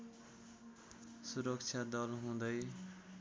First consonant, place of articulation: alveolar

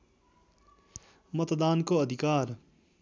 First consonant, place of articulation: labial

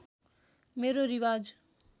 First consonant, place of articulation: labial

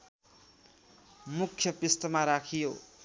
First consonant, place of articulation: labial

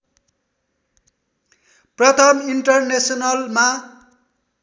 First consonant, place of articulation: labial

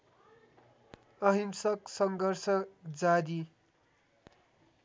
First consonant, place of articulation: glottal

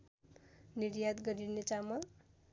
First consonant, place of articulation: alveolar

